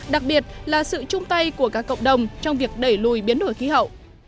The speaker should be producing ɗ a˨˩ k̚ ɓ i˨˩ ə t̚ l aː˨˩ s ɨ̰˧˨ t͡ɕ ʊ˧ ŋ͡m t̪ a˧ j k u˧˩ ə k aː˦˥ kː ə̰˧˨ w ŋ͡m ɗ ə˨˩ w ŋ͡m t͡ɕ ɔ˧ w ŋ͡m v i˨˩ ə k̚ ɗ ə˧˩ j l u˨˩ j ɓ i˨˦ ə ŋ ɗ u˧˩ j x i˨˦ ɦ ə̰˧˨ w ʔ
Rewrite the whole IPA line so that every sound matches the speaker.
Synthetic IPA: ɗ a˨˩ k̚ ɓ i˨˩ ə t̚ l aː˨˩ s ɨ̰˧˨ t͡ɕ ʊ˧ ŋ͡m t̪ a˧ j k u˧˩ ə k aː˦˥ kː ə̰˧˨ w ŋ͡m ɗ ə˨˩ w ŋ͡m t͡ɕ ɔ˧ w ŋ͡m v i˨˩ ə k̚ ɗ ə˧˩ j l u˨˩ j ɓ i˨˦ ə n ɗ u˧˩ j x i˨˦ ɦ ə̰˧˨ w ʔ